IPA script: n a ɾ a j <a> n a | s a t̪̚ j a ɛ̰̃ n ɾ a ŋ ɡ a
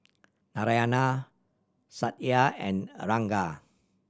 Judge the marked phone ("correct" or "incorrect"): correct